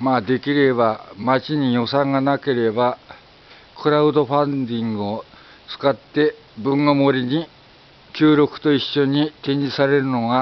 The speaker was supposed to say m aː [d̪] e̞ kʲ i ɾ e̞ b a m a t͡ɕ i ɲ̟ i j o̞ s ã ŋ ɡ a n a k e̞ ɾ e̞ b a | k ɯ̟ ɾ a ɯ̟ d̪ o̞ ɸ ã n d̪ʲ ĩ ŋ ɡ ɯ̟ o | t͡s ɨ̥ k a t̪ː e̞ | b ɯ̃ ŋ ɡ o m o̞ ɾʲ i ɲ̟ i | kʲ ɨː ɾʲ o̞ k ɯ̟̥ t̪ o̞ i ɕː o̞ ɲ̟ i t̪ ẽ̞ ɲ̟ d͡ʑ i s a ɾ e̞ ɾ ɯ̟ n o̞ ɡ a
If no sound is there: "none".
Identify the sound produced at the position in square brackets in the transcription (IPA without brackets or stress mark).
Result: d̪